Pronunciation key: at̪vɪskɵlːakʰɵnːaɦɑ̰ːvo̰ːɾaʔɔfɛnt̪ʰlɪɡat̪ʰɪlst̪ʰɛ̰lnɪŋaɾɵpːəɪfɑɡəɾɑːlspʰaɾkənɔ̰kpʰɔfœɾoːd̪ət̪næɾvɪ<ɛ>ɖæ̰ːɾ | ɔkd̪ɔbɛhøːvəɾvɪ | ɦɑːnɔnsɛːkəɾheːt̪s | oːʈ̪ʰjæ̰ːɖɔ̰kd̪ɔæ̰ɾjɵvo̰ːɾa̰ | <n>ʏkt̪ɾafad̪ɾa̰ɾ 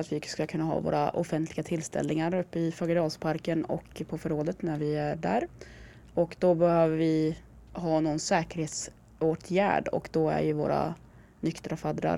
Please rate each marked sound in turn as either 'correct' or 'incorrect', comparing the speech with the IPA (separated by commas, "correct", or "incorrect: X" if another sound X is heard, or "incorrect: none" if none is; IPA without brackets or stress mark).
incorrect: æ, correct